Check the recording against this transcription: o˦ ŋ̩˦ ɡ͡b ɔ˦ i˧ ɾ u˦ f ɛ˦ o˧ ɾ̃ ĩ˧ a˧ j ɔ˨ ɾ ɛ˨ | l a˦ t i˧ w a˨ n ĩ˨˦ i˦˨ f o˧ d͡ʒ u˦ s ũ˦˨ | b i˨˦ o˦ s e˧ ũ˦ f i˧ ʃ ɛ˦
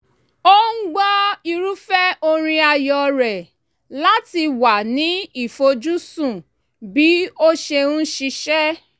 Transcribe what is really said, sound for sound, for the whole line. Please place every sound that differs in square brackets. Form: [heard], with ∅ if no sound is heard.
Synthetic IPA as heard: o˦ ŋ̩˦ ɡ͡b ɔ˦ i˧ ɾ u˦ f ɛ˦ o˧ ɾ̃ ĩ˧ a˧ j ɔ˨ ɾ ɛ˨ | l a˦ t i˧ w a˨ n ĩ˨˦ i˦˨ f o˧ d͡ʒ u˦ s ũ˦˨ | b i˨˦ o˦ [ʃ] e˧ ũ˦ [ʃ] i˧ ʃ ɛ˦